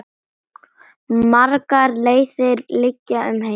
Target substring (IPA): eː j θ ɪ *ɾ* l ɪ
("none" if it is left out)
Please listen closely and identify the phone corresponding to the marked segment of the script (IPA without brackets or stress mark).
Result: ɾ